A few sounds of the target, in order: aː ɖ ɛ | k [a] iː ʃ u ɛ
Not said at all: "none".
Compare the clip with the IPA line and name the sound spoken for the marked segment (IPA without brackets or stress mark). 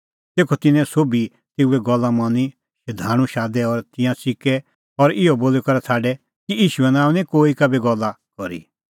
i